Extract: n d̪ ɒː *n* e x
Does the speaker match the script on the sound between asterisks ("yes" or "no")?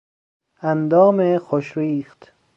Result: no